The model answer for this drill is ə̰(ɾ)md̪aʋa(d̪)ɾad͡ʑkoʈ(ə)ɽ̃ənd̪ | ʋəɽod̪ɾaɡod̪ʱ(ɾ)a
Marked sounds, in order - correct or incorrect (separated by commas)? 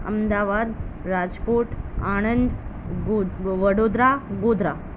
incorrect, correct, incorrect, correct